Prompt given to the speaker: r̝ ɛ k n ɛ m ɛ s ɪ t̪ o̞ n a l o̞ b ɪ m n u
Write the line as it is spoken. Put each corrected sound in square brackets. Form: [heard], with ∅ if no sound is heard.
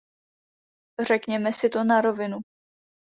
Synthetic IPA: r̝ ɛ k [ɲ] ɛ m ɛ s ɪ t̪ o̞ n a [ɾ] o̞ [v] ɪ [∅] n u